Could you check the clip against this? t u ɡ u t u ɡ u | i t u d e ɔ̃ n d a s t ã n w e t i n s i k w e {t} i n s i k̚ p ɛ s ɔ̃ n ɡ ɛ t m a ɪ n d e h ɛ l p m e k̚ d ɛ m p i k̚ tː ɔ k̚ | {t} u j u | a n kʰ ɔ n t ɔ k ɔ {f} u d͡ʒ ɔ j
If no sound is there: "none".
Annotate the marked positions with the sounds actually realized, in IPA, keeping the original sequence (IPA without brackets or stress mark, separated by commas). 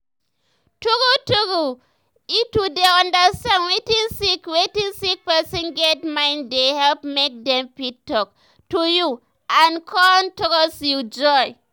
t, t, s